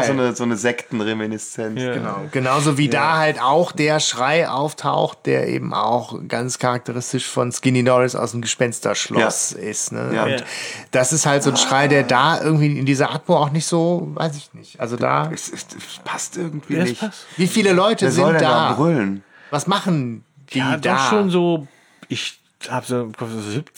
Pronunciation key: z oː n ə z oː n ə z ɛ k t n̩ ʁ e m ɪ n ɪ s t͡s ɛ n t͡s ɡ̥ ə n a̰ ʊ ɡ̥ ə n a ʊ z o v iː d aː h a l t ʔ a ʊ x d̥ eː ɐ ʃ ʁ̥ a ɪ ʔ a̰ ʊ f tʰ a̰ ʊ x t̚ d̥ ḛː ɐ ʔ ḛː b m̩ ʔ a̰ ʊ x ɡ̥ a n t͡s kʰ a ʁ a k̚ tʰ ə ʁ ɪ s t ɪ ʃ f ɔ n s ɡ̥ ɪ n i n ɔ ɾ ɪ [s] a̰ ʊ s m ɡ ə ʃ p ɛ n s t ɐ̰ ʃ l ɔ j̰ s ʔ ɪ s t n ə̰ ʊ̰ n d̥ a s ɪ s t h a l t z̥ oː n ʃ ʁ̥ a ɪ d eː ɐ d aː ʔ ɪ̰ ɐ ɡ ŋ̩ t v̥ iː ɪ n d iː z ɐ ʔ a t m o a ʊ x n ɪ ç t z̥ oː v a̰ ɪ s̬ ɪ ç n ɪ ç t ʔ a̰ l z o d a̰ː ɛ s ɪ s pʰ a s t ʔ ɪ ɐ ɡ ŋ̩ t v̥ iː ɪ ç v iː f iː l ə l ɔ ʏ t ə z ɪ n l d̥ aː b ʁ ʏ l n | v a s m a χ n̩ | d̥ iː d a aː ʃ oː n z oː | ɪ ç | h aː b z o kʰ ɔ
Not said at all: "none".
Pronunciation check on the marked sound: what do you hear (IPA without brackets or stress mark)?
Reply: s